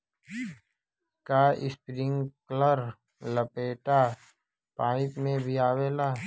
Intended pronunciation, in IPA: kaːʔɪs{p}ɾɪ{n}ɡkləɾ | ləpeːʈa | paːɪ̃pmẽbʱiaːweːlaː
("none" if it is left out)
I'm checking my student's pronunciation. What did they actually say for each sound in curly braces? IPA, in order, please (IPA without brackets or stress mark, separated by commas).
p, ŋ